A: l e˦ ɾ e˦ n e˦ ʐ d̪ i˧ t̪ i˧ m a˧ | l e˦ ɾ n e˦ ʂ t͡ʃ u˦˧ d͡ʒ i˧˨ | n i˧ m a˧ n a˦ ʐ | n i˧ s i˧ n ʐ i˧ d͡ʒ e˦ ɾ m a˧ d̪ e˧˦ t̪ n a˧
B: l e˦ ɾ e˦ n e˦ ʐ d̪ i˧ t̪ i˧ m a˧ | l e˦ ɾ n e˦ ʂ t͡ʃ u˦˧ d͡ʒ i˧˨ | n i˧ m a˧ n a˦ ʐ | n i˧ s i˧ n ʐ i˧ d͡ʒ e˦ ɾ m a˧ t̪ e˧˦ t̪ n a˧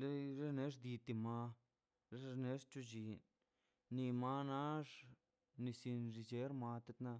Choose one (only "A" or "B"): B